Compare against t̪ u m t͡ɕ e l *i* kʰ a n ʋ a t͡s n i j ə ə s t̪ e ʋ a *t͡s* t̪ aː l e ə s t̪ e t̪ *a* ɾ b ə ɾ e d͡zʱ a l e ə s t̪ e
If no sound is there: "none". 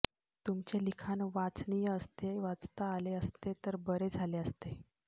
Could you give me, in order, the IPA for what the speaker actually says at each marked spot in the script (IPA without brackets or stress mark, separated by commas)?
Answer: i, t͡s, ə